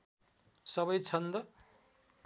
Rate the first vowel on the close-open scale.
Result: mid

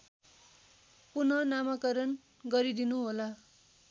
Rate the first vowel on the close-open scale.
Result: close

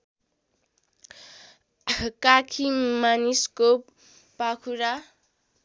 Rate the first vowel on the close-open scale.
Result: open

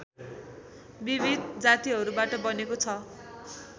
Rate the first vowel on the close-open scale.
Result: close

